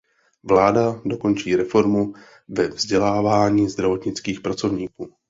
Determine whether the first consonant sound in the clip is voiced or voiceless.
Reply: voiced